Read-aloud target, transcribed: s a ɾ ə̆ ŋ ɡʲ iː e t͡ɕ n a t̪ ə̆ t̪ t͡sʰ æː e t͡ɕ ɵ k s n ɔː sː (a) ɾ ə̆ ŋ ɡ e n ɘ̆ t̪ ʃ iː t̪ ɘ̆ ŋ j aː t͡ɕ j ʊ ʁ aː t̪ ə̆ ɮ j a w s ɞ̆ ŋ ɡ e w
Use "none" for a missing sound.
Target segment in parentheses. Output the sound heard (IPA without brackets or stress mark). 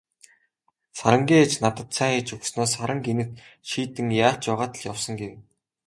a